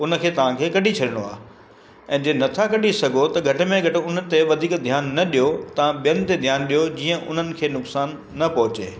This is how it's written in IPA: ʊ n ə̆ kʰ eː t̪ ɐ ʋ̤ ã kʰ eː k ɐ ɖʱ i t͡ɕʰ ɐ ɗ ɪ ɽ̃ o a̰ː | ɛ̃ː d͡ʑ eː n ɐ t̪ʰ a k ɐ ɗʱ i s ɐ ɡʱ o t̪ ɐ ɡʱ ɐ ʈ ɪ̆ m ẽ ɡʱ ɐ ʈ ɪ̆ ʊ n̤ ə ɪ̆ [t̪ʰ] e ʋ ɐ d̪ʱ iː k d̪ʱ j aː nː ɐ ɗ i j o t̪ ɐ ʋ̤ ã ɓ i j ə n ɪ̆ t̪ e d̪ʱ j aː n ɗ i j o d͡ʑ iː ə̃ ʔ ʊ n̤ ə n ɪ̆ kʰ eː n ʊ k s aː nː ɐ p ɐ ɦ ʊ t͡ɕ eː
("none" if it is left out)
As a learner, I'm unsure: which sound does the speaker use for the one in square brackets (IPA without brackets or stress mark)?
t̪